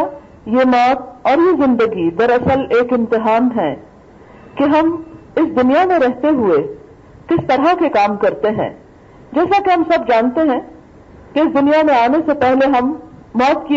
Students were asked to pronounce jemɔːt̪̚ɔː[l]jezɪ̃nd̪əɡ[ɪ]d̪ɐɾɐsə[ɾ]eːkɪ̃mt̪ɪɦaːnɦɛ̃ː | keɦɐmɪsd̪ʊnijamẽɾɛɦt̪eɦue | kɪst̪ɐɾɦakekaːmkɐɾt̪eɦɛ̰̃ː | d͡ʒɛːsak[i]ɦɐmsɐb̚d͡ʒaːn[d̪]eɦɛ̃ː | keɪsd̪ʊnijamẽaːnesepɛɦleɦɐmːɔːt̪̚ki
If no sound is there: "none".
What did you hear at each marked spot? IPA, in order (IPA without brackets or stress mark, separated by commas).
ɾ, i, l, e, t̪